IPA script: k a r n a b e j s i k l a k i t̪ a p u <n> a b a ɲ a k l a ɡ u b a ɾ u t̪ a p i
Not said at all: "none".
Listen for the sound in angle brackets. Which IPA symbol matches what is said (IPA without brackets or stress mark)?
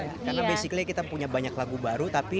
ɲ